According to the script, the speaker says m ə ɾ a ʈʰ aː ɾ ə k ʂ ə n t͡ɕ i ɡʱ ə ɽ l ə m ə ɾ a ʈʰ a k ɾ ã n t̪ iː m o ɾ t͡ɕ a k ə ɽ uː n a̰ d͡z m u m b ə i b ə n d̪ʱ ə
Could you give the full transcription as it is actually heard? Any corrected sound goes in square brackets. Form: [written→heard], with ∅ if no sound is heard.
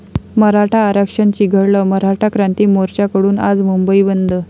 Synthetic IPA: m ə ɾ a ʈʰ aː ɾ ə k ʂ ə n t͡ɕ i ɡʱ ə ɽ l ə m ə ɾ a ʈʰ a k ɾ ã n t̪ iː m o ɾ t͡ɕ a k ə ɽ uː n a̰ d͡z m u m b ə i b ə n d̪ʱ ə